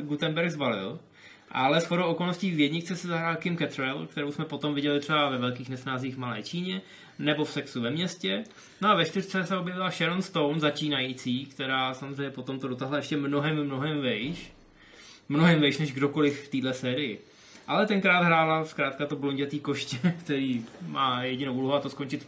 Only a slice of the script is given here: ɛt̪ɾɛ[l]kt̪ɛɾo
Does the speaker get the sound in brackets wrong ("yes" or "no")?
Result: no